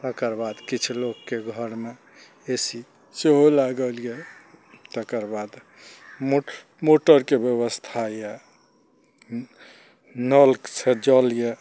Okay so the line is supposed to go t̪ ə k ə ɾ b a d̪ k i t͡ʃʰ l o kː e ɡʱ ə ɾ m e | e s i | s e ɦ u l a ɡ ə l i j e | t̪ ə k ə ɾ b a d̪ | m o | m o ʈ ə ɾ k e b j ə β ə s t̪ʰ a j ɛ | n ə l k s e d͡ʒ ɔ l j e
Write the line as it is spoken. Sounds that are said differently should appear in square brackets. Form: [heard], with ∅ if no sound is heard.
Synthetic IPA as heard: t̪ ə k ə ɾ b a d̪ k i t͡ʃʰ l o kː e ɡʱ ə ɾ m e | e s i | s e ɦ [o] l a ɡ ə l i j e | t̪ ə k ə ɾ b a d̪ | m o | m o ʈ ə ɾ k e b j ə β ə s t̪ʰ a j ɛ | n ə l k s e d͡ʒ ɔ l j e